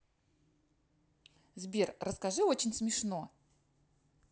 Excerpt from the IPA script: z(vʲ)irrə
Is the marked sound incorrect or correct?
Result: incorrect